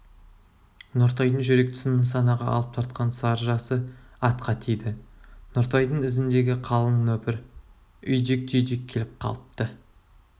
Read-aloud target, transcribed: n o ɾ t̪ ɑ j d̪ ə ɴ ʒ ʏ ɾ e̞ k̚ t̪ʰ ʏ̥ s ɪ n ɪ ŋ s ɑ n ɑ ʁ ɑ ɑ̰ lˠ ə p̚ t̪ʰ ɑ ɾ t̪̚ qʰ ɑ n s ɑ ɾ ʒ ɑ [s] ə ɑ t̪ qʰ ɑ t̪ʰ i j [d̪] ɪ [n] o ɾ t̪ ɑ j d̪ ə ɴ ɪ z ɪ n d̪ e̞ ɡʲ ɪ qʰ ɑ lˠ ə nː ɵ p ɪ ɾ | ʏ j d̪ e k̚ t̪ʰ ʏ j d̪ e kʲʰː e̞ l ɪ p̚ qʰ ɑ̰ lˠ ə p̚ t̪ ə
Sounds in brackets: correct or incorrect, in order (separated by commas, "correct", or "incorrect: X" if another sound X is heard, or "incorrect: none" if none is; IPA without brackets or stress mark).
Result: correct, correct, correct